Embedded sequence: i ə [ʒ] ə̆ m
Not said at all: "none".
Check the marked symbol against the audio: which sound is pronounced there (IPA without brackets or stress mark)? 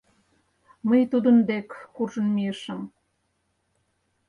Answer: ʃ